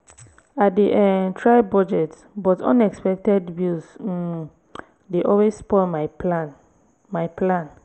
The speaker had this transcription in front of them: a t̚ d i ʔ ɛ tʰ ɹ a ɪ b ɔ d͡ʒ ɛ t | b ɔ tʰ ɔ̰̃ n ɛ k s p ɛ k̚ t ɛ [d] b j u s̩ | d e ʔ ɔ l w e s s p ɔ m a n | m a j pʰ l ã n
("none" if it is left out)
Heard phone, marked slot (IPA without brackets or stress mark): d